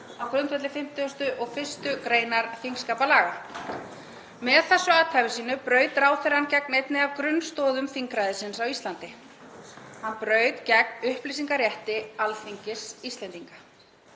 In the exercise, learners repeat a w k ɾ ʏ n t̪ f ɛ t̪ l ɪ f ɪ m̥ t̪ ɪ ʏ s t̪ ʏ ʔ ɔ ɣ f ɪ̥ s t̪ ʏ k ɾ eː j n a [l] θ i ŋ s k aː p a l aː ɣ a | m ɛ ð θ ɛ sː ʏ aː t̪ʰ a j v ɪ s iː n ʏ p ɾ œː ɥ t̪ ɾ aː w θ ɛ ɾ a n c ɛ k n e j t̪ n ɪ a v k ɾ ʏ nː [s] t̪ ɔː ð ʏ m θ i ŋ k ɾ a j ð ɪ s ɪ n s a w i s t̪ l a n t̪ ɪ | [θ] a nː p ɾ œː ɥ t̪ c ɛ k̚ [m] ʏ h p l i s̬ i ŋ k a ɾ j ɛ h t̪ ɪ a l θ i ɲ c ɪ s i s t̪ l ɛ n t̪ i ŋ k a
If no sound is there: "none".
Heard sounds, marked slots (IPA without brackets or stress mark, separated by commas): ɾ, s, h, n